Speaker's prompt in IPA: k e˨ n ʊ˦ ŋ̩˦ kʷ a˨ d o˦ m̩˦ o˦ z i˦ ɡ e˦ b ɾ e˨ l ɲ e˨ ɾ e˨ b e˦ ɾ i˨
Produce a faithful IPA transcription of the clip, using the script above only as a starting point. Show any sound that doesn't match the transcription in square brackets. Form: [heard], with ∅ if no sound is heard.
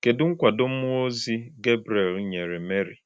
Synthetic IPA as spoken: k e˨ [d] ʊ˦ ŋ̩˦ kʷ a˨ d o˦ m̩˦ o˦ z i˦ ɡ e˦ b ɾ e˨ l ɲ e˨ ɾ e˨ [m] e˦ ɾ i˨